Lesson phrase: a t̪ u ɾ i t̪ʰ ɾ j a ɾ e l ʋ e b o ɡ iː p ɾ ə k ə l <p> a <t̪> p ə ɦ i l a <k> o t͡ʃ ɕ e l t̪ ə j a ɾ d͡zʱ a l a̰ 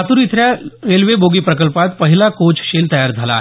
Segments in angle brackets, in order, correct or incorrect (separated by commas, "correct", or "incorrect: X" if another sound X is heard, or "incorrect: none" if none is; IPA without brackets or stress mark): correct, correct, correct